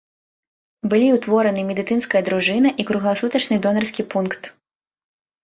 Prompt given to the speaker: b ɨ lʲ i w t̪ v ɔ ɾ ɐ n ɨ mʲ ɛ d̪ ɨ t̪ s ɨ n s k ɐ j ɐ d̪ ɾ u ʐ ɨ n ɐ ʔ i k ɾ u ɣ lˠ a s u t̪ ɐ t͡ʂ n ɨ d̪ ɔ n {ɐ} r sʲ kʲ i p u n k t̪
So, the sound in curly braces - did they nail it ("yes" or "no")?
yes